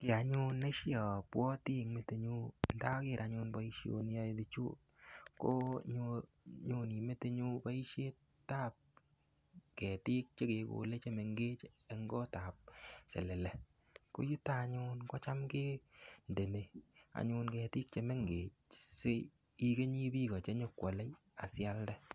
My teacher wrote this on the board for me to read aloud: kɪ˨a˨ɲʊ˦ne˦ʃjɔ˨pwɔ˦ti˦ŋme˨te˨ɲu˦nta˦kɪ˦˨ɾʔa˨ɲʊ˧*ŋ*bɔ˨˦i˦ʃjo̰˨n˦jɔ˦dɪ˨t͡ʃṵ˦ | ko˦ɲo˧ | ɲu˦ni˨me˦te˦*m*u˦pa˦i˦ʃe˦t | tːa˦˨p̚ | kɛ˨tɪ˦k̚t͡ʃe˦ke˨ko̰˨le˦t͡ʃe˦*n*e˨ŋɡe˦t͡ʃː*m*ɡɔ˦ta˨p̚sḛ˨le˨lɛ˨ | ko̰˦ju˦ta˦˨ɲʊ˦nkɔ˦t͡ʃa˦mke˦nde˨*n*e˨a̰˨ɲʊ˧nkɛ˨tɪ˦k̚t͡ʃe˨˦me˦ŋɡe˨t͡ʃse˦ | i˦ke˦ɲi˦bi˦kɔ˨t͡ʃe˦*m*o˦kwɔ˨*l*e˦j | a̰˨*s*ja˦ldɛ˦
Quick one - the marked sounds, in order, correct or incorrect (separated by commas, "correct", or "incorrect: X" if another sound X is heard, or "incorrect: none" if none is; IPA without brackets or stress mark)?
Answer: incorrect: n, incorrect: ɲ, incorrect: m, incorrect: ŋ, correct, incorrect: ɲ, correct, correct